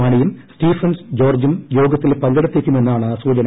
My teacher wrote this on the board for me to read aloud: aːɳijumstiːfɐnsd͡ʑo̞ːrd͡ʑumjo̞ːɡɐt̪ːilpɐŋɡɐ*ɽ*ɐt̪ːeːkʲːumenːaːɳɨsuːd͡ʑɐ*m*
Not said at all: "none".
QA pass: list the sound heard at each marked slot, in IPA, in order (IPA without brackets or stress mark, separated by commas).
ɽ, n